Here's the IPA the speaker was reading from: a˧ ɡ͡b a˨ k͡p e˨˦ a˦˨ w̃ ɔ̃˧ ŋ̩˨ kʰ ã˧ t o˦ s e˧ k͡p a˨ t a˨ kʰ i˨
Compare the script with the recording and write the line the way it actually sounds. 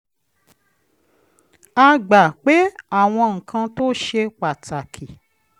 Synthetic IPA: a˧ ɡ͡b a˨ k͡p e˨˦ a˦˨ w̃ ɔ̃˧ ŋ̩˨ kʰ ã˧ t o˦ ʃ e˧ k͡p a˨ t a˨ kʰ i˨